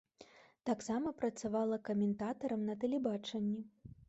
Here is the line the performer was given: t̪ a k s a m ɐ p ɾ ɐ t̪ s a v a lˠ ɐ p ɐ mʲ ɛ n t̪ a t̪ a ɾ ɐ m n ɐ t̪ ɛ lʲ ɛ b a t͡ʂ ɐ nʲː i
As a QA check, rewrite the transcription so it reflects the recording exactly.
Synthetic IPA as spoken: t̪ a k s a m ɐ p ɾ ɐ t̪ s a v a lˠ ɐ k ɐ mʲ ɛ n t̪ a t̪ ɐ ɾ ɐ m n ɐ t̪ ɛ lʲ ɛ b a t͡ʂ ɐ nʲː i

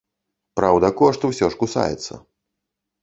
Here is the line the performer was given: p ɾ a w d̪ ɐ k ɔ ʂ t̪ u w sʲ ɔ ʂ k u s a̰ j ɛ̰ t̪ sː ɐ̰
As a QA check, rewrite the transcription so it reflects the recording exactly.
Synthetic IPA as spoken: p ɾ a w d̪ ɐ k ɔ ʂ t̪ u w sʲ ɔ ʂ k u s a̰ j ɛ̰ t̪ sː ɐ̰

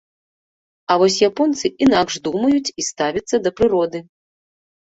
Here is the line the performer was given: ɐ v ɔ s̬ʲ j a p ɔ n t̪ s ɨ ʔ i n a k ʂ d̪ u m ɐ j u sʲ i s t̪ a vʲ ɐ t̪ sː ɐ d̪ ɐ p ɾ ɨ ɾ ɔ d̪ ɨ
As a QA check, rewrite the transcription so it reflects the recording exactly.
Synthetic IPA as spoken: ɐ v ɔ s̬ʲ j a p ɔ n t̪ s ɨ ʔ i n a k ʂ d̪ u m ɐ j u t͡sʲ i s t̪ a vʲ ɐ t̪ sː ɐ d̪ ɐ p ɾ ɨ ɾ ɔ d̪ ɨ

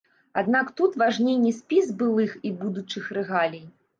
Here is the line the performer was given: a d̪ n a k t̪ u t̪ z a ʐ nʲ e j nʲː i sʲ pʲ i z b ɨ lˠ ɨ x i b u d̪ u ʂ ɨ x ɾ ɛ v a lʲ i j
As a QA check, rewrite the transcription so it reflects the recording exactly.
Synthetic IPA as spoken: a d̪ n a k t̪ u t̪ v a ʐ nʲ e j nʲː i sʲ pʲ i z b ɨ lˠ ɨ x i b u d̪ u t͡ʂ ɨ x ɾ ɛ ɣ a lʲ i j

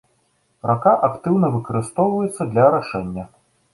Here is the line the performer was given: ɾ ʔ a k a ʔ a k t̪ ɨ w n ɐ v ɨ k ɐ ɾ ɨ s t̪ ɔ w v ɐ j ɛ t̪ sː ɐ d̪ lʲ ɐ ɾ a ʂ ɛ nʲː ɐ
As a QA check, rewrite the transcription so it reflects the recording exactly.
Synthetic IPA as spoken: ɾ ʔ a k a ʔ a k t̪ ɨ w n ɐ v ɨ k ɐ ɾ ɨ s t̪ ɔ w v ɐ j ɛ t̪ sː ɐ d̪ lʲ ɐ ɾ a ʂ ɛ nʲː ɐ

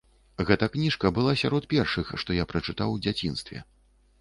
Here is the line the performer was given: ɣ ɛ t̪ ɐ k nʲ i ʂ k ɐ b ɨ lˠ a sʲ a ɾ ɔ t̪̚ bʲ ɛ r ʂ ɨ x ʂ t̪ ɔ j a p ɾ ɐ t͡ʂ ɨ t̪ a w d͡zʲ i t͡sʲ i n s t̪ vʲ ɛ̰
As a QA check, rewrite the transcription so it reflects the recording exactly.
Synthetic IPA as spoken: ɣ ɛ t̪ ɐ k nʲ i ʂ k ɐ b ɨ lˠ a sʲ a ɾ ɔ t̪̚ pʲ ɛ r ʂ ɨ x ʂ t̪ ɔ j a p ɾ ɐ t͡ʂ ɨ t̪ a w d͡zʲ a t͡sʲ i n s t̪ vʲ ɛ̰

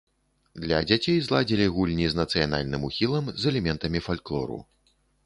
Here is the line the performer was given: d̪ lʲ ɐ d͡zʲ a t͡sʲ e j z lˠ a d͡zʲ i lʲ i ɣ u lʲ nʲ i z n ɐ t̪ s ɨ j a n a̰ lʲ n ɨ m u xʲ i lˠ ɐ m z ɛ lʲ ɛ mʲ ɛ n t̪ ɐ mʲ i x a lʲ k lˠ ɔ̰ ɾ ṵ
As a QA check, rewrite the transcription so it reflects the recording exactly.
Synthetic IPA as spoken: d̪ lʲ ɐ d͡zʲ a t͡sʲ e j z lˠ a d͡zʲ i lʲ i ɣ u lʲ nʲ i z n ɐ t̪ s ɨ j a n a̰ lʲ n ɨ m u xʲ i lˠ ɐ m z ɛ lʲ ɛ mʲ ɛ n t̪ ɐ mʲ i f a lʲ k lˠ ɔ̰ ɾ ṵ

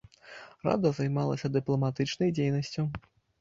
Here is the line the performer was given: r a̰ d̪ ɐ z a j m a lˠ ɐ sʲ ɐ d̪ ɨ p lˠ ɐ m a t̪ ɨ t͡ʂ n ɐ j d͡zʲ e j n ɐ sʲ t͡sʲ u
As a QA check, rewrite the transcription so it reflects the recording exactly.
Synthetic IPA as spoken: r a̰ d̪ ɐ z a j m a lˠ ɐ sʲ ɐ d̪ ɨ p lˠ ɐ m a t̪ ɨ t͡ʂ n ɐ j d͡zʲ e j n ɐ sʲ t͡sʲ u

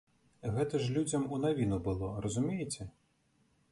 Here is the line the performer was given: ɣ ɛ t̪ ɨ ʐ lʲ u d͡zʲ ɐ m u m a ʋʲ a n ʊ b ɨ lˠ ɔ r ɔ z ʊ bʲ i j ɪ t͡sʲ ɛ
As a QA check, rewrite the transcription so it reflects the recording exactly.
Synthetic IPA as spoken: ɣ ɛ t̪ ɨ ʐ lʲ u d͡zʲ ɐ m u n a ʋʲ i n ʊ b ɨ lˠ ɔ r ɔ z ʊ mʲ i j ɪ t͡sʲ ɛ

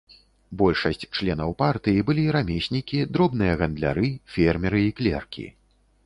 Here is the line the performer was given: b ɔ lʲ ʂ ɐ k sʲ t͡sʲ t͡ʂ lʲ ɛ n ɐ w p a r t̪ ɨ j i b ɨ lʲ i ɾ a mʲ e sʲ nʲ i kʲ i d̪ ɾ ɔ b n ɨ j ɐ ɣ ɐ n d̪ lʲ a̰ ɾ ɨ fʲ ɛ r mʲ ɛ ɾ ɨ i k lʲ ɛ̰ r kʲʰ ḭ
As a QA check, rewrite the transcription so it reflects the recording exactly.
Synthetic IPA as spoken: b ɔ lʲ ʂ ɐ sʲ t͡sʲ t͡ʂ lʲ ɛ n ɐ w p a r t̪ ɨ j i b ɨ lʲ i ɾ a mʲ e sʲ nʲ i kʲ i d̪ ɾ ɔ b n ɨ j ɐ ɣ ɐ n d̪ lʲ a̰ ɾ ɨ fʲ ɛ r mʲ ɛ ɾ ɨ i k lʲ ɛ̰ r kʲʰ ḭ

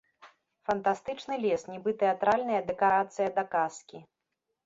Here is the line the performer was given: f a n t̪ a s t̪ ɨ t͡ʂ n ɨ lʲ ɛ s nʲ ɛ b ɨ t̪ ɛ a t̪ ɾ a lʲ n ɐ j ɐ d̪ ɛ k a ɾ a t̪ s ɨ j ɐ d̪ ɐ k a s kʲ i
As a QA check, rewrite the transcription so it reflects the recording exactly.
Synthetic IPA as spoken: f ɐ n t̪ a s t̪ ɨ t͡ʂ n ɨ lʲ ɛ s nʲ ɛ b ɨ t̪ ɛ a t̪ ɾ a lʲ n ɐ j ɐ d̪ ɛ k a ɾ a t̪ s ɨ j ɐ d̪ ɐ k a s kʲ i

